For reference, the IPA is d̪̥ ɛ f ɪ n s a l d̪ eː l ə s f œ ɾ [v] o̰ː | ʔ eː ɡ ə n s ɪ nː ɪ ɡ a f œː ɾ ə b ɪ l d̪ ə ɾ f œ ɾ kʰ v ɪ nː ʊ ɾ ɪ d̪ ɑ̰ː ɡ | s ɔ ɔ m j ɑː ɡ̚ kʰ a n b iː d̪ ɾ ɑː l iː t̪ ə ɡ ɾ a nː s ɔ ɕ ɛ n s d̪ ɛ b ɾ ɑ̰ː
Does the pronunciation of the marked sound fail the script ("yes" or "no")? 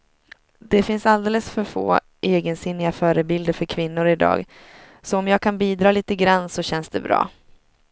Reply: yes